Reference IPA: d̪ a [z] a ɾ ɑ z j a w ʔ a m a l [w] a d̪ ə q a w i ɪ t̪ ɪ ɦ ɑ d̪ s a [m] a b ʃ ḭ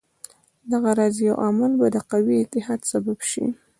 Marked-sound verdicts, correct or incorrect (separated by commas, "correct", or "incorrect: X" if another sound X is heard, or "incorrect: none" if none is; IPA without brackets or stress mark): incorrect: ɣ, incorrect: b, incorrect: b